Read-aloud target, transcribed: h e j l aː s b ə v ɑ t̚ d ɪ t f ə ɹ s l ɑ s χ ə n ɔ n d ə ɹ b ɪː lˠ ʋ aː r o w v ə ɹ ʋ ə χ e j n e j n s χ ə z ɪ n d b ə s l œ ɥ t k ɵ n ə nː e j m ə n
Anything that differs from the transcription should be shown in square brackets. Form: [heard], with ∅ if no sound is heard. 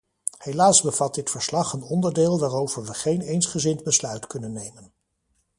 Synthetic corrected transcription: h e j l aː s b ə v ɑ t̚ d ɪ t f ə ɹ s l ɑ [∅] χ ə n ɔ n d ə ɹ [d] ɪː lˠ ʋ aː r o w v ə ɹ ʋ ə χ e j n e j n s χ ə z ɪ n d b ə s l œ ɥ t k ɵ n ə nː e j m ə n